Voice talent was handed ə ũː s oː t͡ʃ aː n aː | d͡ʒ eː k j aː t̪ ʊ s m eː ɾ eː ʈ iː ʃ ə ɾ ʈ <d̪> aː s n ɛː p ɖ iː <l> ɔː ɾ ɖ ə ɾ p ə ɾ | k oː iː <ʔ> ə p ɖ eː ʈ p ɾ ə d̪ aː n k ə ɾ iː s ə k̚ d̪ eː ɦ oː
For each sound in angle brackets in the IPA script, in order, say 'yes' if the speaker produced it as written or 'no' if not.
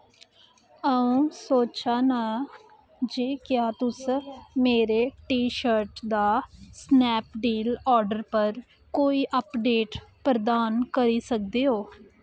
yes, yes, yes

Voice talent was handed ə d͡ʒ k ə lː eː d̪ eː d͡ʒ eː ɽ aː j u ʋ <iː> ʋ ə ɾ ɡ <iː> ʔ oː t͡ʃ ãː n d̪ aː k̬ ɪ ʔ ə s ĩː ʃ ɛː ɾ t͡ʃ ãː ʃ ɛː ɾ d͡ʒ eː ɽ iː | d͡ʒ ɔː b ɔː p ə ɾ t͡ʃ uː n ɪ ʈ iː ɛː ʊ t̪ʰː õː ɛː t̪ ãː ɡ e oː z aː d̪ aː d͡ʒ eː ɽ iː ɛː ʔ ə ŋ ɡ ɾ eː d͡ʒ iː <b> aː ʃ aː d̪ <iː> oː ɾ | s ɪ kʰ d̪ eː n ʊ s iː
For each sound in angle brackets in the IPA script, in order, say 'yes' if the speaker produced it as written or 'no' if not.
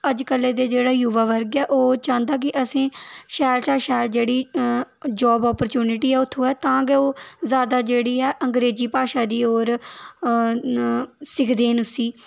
no, no, no, yes

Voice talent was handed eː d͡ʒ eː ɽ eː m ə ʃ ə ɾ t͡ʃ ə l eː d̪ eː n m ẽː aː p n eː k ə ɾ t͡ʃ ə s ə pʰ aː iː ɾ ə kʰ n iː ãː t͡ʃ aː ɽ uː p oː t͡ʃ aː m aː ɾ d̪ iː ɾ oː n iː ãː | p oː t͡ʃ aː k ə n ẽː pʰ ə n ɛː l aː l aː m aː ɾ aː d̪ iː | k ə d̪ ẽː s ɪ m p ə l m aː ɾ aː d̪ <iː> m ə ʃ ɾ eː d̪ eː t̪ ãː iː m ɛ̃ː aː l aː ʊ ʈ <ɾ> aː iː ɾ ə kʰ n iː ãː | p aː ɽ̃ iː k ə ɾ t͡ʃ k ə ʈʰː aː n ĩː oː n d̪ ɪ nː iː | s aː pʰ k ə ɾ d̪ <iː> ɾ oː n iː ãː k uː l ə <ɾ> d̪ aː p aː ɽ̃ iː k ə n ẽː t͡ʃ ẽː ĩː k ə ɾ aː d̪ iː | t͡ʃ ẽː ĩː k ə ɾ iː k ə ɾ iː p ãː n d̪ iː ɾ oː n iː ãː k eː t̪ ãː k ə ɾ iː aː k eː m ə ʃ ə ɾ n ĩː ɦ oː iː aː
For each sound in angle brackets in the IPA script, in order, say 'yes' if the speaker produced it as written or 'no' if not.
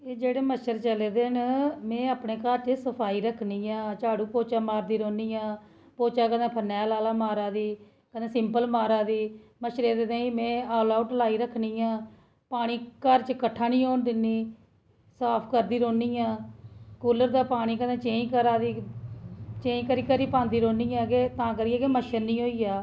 yes, no, yes, yes

